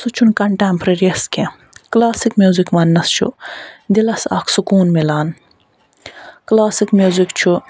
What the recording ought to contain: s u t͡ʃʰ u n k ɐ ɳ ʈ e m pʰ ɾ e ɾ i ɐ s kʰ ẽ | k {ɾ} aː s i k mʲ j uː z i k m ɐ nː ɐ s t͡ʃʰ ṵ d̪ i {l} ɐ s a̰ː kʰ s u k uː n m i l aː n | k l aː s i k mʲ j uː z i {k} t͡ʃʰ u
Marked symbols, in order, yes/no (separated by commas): no, yes, yes